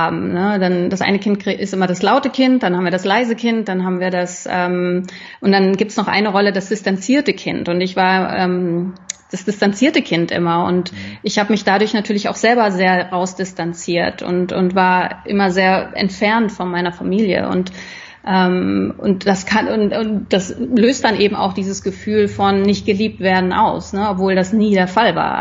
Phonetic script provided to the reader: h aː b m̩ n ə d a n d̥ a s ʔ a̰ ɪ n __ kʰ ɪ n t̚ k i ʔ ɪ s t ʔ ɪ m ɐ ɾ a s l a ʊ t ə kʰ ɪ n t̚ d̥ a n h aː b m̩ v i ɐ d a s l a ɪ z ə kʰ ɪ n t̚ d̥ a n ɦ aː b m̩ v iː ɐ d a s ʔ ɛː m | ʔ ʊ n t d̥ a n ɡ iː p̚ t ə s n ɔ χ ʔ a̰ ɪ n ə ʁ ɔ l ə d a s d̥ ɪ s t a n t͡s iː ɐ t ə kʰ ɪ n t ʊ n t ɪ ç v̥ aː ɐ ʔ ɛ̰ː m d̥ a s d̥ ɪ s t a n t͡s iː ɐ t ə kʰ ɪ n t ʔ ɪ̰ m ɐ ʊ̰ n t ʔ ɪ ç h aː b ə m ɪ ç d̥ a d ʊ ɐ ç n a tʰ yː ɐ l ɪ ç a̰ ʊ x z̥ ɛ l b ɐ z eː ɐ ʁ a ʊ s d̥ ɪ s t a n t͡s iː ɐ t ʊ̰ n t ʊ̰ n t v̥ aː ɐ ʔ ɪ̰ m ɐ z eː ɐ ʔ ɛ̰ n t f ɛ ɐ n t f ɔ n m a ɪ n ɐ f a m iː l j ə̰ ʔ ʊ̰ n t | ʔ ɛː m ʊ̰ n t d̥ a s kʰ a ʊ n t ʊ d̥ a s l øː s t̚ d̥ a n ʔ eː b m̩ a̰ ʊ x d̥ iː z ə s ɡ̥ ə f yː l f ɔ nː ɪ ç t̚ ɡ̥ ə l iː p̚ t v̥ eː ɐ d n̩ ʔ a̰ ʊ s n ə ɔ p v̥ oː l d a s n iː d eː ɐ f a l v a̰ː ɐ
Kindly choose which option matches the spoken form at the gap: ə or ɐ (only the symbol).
ə